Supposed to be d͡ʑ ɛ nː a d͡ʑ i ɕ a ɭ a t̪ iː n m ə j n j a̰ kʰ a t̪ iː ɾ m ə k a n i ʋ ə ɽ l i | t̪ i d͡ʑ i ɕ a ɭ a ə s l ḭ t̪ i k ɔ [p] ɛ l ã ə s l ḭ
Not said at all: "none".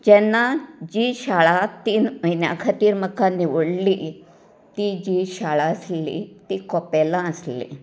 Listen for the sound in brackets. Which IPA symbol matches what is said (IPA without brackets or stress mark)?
p